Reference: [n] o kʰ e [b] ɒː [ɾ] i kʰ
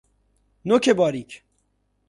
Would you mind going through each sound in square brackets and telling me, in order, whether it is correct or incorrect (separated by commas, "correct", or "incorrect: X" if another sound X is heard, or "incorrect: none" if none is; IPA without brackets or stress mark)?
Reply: correct, correct, correct